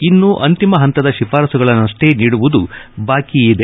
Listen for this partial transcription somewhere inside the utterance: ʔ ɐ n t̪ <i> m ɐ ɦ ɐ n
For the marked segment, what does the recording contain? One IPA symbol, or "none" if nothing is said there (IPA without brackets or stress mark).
i